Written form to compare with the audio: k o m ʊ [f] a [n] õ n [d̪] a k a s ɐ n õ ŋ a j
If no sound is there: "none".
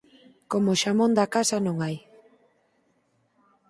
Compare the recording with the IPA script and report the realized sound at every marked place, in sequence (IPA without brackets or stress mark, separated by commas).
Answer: ʃ, m, d̪